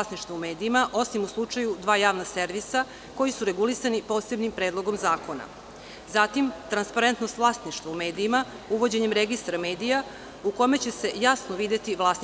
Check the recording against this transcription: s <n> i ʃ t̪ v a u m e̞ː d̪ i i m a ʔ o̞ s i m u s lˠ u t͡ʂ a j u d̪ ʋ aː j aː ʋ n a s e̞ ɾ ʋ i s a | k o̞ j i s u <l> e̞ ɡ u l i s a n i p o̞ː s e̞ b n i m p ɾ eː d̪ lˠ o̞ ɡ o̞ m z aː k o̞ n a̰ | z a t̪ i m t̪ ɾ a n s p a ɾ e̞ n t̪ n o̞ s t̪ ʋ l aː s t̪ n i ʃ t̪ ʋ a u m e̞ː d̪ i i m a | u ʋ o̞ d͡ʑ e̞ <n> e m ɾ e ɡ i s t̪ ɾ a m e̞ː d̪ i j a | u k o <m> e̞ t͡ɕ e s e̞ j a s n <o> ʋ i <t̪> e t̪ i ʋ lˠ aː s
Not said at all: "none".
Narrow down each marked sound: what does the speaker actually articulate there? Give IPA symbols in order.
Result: n, ɾ, ɲ, m, o, d̪

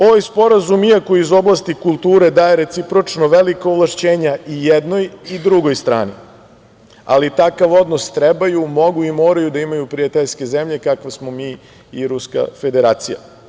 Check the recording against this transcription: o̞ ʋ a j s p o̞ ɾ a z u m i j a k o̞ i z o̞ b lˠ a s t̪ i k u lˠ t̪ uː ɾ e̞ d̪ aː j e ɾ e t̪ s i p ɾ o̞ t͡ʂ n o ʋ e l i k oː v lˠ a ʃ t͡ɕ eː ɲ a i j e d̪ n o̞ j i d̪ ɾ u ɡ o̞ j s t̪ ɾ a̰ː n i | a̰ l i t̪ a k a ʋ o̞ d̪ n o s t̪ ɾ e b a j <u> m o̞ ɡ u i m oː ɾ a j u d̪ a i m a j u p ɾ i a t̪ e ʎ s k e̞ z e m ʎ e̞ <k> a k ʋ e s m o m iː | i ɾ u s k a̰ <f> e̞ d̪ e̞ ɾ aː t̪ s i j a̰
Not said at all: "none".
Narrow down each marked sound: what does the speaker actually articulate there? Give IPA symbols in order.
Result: u, k, f

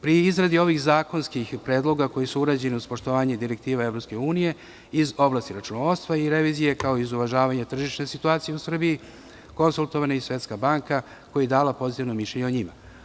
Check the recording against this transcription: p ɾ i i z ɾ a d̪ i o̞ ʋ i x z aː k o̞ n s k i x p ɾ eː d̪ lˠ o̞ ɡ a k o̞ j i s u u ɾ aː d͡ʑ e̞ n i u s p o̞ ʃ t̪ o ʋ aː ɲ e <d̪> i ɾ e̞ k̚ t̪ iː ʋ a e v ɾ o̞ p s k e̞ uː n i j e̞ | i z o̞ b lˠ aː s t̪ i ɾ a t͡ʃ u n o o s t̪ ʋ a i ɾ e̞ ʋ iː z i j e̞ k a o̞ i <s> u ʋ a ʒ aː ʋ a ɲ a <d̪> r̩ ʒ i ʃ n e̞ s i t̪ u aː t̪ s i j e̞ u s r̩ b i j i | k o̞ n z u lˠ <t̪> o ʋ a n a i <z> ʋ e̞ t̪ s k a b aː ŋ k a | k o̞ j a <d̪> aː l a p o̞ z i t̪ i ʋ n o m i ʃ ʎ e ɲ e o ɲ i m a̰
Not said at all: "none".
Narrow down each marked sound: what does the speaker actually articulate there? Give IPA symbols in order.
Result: d̪, z, t̪, t̪, s, d̪

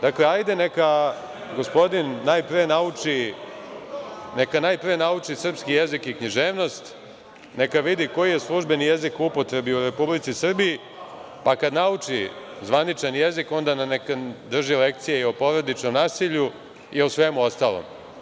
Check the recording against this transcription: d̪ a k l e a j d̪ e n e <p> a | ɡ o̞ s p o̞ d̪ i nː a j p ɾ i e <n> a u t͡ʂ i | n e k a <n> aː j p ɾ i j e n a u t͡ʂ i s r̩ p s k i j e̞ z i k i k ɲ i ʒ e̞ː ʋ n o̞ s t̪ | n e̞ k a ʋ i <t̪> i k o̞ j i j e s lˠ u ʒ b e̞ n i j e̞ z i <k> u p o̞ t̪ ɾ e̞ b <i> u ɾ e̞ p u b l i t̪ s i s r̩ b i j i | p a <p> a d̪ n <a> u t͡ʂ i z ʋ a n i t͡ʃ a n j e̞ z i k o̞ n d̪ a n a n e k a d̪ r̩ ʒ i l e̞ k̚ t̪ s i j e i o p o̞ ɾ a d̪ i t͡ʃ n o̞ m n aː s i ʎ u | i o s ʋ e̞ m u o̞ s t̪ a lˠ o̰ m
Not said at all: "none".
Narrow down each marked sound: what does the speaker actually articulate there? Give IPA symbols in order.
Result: k, n, n, d̪, k, i, k, a

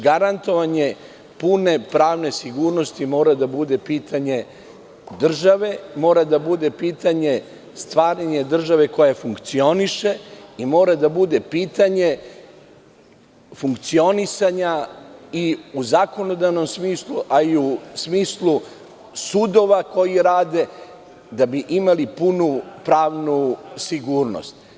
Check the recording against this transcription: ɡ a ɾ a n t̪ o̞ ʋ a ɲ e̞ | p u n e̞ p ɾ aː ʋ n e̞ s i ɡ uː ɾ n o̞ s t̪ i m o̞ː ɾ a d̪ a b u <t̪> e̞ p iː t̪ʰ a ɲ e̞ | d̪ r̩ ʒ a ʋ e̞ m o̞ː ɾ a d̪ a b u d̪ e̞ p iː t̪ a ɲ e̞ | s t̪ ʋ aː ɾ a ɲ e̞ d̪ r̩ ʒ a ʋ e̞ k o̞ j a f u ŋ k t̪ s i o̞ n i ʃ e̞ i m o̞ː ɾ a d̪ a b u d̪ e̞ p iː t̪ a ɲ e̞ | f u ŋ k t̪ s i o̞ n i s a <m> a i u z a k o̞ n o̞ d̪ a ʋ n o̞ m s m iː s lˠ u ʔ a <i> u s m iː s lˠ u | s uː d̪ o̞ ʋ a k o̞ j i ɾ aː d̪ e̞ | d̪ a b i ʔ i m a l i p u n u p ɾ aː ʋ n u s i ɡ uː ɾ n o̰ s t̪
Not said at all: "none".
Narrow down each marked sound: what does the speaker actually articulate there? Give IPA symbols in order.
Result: d̪, ɲ, i

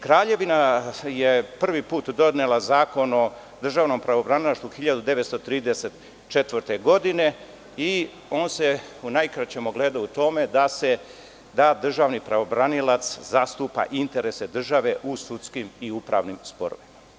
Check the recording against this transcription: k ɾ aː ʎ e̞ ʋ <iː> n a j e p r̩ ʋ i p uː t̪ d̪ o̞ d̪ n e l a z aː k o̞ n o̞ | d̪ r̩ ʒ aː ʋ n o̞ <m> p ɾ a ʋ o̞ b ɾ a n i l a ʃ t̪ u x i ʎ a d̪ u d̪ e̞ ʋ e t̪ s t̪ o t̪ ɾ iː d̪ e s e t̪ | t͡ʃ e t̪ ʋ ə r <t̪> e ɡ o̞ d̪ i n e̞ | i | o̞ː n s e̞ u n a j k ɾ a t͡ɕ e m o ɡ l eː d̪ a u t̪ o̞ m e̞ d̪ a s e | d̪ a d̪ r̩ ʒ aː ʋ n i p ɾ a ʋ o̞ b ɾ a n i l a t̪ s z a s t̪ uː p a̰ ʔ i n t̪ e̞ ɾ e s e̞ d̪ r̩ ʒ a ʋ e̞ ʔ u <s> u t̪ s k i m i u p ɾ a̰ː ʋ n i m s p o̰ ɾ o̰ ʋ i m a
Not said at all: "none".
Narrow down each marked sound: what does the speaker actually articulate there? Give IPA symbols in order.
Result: i, m, t̪, s

